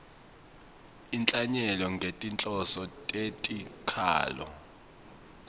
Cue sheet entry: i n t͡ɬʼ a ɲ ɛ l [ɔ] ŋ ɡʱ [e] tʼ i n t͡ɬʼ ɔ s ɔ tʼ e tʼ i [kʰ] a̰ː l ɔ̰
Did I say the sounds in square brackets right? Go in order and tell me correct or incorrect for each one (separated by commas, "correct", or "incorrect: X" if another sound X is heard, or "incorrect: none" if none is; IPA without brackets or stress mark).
correct, correct, correct